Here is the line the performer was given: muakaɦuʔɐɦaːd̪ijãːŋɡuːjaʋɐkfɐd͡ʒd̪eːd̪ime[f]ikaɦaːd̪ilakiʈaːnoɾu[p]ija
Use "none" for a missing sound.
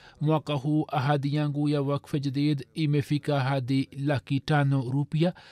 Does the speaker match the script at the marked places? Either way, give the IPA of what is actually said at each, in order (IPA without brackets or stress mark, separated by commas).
f, p